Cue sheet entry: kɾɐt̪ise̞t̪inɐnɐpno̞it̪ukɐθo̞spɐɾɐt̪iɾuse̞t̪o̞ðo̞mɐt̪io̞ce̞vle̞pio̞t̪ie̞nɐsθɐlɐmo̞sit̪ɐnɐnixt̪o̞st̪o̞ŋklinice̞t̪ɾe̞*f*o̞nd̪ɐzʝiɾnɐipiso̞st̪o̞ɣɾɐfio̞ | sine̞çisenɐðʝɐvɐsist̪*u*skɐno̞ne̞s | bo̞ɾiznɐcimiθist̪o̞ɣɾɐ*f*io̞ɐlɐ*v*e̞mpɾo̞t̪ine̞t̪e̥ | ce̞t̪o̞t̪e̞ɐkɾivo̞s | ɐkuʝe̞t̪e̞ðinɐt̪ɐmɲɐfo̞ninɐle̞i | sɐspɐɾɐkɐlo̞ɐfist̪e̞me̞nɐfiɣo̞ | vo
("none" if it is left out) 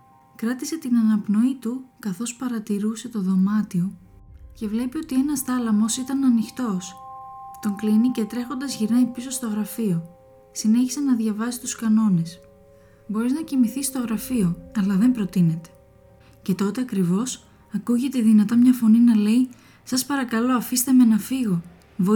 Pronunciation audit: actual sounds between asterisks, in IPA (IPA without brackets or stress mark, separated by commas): x, u, f, ð